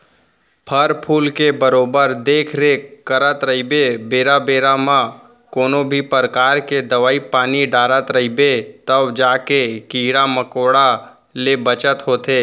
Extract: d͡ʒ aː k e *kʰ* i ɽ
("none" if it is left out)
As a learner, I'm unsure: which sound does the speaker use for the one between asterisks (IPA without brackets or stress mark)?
k